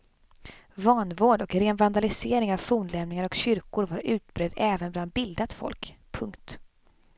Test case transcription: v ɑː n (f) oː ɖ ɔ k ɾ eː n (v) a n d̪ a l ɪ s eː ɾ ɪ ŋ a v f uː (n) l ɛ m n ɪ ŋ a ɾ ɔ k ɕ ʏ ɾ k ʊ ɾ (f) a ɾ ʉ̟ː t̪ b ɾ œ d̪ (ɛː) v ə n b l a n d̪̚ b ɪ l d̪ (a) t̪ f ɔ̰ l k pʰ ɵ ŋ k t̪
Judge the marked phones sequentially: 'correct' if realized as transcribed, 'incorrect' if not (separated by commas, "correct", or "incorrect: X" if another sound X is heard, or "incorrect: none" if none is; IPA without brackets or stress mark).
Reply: incorrect: v, correct, correct, incorrect: v, correct, correct